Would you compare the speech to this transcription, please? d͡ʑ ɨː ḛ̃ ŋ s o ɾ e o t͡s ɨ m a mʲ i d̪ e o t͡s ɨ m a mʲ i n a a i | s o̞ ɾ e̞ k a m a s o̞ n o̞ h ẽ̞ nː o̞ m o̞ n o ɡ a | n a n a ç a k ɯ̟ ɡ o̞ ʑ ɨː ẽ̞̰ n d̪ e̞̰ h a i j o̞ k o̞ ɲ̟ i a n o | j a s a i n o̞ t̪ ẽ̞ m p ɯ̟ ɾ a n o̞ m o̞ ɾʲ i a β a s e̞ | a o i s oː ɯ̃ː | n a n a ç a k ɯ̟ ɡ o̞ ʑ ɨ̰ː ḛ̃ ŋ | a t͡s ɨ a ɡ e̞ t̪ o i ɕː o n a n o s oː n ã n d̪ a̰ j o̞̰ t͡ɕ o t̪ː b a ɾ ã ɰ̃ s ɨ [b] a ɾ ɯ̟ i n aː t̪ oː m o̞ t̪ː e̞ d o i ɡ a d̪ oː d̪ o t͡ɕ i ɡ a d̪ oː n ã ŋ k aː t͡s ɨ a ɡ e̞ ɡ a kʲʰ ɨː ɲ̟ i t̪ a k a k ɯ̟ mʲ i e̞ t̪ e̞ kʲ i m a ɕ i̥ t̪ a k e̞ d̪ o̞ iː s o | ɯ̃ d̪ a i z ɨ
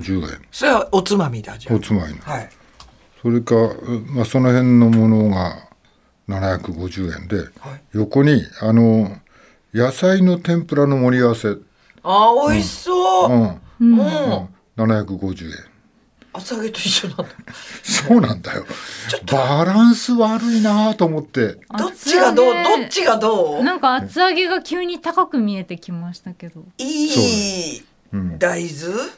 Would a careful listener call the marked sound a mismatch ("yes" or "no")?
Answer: yes